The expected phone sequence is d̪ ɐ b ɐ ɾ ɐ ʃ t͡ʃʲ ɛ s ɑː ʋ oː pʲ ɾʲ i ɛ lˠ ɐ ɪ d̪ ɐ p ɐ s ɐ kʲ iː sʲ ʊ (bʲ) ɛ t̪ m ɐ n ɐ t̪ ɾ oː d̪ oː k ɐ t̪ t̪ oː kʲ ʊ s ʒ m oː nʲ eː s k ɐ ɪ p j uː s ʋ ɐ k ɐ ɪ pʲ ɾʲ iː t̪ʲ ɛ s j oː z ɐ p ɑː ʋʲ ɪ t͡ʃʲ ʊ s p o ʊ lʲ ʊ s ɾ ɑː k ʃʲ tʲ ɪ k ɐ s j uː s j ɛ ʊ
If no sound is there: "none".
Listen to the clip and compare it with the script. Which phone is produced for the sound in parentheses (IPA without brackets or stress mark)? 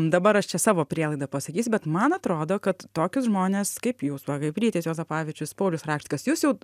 bʲ